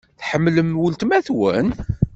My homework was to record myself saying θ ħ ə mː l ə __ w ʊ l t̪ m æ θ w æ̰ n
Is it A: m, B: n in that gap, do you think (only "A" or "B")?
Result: A